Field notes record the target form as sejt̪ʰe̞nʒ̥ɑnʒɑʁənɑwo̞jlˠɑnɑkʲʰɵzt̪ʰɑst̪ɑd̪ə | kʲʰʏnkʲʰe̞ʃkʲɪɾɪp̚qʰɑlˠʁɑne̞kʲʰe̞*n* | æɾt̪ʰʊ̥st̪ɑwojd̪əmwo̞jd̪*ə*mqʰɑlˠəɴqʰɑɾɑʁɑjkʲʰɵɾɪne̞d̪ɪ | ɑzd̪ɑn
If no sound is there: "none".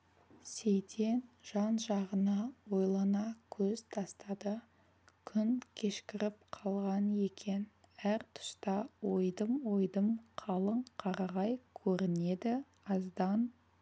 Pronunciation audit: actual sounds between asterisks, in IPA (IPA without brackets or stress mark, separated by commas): n, ə